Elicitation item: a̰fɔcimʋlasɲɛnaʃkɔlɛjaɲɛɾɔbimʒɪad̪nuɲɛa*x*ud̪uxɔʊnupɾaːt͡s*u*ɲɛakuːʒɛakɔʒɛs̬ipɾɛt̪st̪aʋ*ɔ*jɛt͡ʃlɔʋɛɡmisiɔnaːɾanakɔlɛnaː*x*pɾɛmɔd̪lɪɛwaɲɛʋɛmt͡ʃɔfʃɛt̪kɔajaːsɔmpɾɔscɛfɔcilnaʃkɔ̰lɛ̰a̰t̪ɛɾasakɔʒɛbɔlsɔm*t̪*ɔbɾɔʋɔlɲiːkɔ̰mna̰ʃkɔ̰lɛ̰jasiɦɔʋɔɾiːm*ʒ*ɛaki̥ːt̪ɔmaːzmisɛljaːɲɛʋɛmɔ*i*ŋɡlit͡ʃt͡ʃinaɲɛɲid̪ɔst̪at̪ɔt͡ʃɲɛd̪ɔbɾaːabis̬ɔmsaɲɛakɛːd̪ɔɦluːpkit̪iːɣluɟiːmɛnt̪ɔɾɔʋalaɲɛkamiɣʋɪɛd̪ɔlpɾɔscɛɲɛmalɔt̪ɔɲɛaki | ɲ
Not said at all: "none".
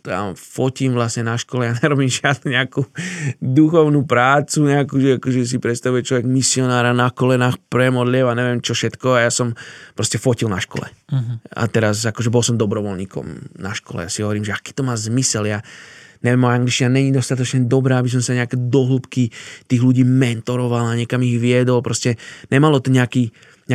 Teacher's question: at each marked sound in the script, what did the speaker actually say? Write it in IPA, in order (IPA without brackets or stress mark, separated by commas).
k, u, u, x, d̪, ʒ, a